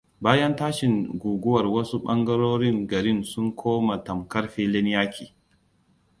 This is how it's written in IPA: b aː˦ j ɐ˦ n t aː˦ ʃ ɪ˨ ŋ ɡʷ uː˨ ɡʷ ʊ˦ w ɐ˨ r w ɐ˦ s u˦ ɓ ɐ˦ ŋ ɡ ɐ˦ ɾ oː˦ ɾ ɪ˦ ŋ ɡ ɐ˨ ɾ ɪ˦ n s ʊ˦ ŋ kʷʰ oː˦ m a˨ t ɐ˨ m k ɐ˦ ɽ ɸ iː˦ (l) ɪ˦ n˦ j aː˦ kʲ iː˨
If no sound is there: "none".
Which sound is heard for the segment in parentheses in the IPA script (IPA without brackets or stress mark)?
l